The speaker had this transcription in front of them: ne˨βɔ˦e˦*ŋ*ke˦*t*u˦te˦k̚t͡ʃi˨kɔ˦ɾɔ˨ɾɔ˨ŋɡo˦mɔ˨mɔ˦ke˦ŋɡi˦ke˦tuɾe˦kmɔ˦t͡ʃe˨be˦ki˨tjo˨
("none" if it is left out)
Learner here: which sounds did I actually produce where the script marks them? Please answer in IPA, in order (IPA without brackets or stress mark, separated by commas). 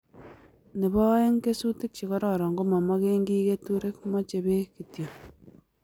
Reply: ŋ, s